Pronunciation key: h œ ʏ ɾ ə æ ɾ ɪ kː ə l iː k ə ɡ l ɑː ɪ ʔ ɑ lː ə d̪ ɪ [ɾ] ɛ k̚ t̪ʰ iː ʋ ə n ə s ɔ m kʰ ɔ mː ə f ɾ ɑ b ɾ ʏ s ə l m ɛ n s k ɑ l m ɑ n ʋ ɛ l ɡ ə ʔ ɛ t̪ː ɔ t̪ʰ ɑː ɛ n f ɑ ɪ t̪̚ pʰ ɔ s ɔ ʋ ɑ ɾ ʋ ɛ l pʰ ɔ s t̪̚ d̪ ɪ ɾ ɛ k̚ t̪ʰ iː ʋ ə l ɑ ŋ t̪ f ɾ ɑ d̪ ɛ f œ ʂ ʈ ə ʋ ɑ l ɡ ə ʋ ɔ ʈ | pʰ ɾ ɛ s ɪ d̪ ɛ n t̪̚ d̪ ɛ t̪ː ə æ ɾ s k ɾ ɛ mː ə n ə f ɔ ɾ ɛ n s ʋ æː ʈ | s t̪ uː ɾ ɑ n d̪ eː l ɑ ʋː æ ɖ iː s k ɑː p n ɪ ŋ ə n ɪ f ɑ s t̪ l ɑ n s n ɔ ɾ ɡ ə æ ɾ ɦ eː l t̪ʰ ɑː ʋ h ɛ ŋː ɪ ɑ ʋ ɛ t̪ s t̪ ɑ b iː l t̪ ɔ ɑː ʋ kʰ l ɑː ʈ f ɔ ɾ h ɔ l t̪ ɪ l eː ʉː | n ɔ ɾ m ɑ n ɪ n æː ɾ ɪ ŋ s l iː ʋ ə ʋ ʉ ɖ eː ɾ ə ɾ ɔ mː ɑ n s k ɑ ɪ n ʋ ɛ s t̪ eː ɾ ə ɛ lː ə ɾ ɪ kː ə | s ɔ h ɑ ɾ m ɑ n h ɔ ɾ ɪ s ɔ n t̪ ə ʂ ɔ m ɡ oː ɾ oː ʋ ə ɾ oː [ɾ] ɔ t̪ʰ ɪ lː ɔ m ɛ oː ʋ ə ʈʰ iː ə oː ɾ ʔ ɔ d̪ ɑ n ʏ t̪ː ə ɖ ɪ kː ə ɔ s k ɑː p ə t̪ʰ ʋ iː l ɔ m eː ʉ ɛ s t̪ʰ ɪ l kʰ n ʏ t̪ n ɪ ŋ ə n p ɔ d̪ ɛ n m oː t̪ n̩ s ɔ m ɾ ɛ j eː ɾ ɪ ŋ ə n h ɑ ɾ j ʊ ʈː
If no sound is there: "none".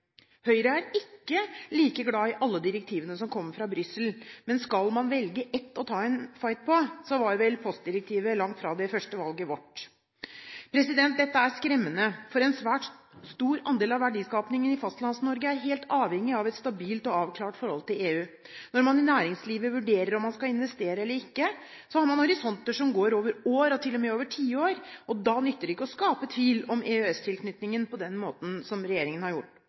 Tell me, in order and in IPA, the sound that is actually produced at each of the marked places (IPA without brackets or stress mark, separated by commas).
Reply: ɾ, ɾ